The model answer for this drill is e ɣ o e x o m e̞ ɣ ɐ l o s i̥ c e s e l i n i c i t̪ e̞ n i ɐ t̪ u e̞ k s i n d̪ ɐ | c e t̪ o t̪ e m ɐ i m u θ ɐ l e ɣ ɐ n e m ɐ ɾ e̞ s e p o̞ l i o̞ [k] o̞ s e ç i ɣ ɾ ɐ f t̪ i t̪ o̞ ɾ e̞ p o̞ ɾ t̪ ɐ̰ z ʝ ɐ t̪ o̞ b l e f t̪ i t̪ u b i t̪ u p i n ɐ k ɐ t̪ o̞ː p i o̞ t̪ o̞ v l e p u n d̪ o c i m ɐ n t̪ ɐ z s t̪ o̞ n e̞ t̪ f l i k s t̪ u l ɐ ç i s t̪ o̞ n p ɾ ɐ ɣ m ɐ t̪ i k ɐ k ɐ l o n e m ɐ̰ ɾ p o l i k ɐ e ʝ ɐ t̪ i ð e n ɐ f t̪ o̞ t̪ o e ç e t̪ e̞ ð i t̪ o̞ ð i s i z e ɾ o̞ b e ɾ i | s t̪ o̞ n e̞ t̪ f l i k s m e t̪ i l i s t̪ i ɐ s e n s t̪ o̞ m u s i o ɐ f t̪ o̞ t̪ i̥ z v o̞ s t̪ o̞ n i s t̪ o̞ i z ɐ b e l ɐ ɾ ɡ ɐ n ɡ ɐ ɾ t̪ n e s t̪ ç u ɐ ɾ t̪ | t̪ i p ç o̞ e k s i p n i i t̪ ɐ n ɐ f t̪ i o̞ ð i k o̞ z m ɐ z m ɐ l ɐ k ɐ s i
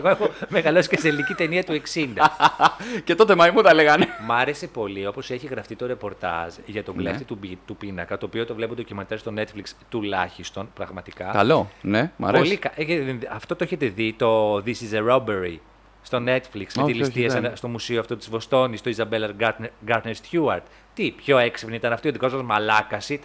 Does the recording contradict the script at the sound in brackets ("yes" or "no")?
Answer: yes